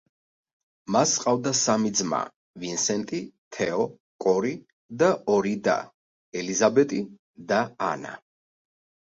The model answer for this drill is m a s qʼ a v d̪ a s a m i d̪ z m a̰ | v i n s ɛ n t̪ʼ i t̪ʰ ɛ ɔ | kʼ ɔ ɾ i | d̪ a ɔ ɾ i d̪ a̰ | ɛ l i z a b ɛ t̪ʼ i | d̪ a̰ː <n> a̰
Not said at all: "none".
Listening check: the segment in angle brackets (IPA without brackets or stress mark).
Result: n